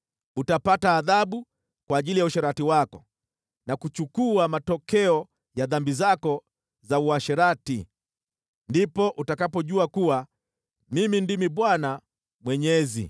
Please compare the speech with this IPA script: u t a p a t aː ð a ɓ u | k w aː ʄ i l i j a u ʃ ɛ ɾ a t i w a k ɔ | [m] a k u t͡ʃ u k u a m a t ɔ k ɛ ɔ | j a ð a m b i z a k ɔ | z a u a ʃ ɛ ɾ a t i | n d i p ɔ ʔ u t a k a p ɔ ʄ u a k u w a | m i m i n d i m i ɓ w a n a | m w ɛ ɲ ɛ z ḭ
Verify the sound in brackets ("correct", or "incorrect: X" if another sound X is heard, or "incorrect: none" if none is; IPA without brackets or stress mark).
incorrect: n